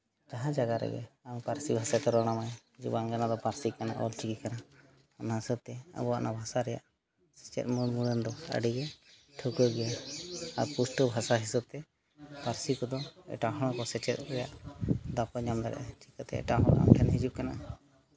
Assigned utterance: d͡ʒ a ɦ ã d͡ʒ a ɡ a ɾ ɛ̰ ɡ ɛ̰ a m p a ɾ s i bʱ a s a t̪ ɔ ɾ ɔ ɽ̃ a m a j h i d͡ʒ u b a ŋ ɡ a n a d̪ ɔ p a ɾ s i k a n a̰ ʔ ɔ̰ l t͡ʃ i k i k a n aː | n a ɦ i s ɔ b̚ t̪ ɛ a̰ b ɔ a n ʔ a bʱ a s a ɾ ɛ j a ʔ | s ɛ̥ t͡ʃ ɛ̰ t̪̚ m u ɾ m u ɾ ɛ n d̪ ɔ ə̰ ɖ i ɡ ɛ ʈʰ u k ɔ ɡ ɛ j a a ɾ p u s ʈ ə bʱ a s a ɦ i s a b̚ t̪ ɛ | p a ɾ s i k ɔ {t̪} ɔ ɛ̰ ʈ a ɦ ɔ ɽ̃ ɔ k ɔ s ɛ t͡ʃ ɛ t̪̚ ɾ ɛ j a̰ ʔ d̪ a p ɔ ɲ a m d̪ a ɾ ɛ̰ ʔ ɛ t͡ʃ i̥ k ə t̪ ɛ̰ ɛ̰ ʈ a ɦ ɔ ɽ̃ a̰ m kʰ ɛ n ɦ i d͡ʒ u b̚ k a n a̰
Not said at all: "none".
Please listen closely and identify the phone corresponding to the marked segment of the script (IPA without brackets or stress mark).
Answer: d̪